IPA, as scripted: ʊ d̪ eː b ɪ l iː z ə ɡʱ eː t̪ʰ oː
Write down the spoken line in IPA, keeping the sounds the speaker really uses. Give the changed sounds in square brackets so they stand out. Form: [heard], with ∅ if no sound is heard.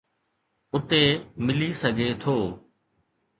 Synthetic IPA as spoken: ʊ [t̪] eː [m] ɪ l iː [s] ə ɡʱ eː t̪ʰ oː